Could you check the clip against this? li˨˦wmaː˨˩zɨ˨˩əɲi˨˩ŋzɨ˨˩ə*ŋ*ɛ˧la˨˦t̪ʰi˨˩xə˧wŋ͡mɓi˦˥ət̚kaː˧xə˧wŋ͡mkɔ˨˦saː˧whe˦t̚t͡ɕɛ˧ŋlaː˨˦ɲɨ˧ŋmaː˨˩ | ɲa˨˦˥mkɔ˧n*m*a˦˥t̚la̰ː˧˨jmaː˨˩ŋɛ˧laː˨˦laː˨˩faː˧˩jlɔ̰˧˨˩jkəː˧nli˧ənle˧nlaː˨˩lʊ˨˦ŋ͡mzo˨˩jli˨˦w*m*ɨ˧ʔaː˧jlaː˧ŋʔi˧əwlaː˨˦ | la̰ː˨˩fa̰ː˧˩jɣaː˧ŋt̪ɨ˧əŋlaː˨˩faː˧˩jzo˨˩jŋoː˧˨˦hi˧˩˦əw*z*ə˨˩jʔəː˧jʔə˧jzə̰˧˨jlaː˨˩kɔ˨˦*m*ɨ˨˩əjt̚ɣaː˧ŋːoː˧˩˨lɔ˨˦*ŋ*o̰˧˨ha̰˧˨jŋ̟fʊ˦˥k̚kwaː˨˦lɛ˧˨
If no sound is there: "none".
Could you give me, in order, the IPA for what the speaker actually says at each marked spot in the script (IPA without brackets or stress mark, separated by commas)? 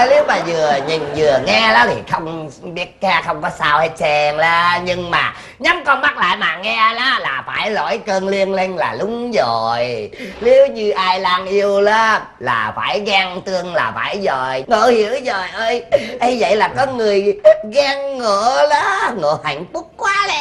ŋ, m, ɲ, z, ŋ, ŋ